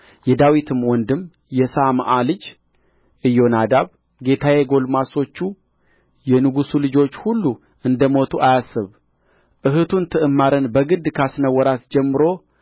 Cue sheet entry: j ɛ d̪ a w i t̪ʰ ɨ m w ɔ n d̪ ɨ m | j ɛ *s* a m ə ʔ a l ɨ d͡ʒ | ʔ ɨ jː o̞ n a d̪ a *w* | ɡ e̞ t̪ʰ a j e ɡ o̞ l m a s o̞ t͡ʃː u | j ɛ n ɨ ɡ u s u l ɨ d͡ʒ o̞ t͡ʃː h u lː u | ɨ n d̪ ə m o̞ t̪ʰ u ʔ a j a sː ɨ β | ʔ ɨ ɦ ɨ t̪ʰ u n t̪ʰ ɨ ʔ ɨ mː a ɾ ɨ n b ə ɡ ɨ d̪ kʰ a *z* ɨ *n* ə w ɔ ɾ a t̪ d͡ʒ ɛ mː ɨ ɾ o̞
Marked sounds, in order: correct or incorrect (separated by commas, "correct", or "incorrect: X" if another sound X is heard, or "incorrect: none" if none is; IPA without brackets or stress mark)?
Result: correct, incorrect: β, incorrect: s, correct